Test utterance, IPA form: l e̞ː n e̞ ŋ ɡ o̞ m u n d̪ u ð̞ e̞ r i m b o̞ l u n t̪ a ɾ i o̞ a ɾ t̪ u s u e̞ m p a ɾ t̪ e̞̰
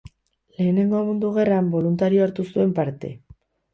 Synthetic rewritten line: l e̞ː n e̞ ŋ ɡ o̞ m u n d̪ u ɣ̞ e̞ r a m b o̞ l u n t̪ a ɾ i o̞ a ɾ t̪ u s u e̞ m p a ɾ t̪ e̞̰